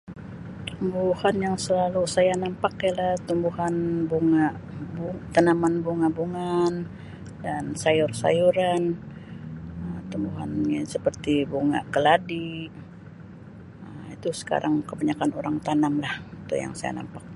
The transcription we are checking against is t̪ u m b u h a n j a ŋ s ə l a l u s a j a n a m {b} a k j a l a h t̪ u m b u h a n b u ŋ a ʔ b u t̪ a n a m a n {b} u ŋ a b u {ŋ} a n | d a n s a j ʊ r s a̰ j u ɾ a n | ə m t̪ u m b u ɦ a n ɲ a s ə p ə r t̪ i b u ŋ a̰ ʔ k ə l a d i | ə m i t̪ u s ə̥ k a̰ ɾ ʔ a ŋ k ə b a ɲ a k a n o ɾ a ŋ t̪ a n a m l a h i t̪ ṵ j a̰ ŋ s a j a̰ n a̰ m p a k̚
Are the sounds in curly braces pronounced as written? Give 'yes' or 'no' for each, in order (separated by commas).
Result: no, yes, yes